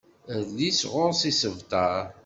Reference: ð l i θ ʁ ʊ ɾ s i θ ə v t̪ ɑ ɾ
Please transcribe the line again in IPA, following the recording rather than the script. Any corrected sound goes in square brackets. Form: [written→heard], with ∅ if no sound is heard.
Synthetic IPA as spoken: ð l i [θ→s] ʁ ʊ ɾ s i [θ→s] ə v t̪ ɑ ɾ